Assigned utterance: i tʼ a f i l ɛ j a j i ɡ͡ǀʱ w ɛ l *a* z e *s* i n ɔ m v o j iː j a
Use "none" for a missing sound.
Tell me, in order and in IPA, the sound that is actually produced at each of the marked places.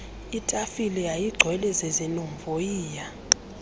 ɛ, z

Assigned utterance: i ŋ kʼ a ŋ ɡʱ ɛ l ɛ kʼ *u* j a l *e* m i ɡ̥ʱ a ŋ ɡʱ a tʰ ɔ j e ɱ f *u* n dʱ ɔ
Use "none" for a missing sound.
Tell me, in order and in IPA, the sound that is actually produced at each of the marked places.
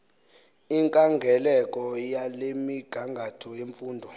ɔ, e, uː

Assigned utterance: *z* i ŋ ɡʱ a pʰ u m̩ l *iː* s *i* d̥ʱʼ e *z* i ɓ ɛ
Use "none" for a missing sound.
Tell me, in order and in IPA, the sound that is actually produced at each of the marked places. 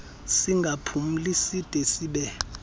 s, i, i, s

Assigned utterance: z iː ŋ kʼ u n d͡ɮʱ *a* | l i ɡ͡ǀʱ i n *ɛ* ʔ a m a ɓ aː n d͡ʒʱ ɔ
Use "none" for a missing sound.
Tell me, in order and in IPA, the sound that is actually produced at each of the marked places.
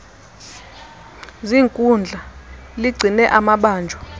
a, ɛ

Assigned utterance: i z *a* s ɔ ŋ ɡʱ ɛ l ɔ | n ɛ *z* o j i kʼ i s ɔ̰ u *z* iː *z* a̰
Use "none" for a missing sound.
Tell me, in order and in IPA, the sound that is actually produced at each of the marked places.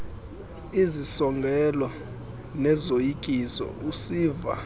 i, z, s, v

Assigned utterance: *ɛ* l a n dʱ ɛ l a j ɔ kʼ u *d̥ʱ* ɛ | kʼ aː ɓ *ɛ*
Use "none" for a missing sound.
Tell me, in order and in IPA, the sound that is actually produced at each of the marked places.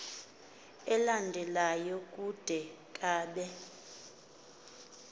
ɛ, d̥ʱ, ɛ

